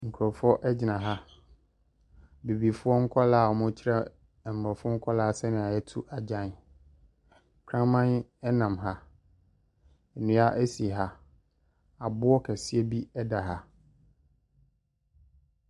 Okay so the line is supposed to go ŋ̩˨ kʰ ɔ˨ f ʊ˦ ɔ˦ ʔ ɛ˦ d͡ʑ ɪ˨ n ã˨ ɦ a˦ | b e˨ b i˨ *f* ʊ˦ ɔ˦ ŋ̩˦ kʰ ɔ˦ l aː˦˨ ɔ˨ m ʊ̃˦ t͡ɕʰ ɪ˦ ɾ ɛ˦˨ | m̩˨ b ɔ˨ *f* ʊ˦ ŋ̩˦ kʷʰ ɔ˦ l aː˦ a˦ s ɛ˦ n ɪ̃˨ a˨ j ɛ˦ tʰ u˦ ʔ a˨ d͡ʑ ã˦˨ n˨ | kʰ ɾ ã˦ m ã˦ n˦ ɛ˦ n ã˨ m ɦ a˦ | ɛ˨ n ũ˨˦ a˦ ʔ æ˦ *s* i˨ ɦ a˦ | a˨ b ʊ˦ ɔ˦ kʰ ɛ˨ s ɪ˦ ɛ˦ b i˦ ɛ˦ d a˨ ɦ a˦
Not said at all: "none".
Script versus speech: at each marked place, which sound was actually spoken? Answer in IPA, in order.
f, f, s

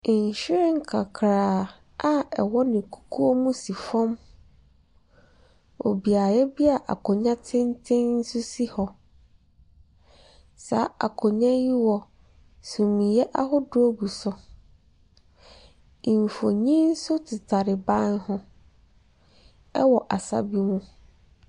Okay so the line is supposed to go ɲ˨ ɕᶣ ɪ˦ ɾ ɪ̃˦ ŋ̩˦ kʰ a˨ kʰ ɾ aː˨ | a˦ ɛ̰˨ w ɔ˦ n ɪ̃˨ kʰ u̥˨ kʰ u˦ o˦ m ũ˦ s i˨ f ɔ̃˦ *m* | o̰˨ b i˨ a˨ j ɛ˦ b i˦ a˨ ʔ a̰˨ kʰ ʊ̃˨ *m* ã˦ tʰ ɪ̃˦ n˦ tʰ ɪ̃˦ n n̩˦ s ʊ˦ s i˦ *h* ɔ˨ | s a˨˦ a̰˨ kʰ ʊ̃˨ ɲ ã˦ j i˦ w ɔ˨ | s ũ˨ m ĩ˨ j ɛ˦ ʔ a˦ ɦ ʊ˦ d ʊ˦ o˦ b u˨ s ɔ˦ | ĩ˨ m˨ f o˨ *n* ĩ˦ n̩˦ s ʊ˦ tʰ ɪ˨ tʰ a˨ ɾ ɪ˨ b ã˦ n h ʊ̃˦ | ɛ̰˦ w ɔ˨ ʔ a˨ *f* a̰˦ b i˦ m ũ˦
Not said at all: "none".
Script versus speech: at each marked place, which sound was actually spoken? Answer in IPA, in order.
m, ɲ, h, ɲ, s

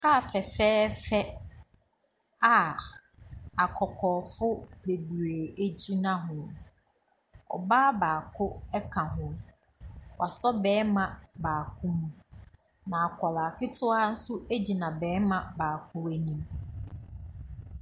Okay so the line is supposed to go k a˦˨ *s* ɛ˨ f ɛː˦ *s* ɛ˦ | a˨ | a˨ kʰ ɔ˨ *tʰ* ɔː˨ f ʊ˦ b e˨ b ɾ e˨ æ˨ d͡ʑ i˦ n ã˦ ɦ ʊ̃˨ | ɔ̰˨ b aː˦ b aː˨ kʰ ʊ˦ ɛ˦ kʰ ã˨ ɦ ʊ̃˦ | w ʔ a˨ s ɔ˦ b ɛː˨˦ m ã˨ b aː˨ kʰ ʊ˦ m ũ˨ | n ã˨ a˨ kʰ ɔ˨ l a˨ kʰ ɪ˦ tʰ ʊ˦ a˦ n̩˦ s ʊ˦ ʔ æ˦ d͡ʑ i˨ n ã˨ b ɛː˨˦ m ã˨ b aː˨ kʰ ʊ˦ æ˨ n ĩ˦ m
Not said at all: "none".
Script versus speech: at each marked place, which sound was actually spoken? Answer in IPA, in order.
f, f, kʰ

